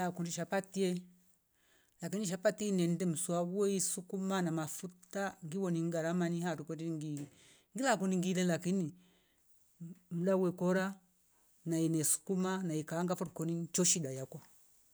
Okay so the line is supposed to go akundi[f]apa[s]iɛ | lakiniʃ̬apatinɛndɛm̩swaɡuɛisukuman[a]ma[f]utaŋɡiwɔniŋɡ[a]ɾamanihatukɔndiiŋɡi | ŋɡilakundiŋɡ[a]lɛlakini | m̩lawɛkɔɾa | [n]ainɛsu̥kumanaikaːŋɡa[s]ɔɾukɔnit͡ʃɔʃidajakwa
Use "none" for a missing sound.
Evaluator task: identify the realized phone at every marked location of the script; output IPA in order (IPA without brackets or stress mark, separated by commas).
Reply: ʃ, t, a, f, a, i, n, f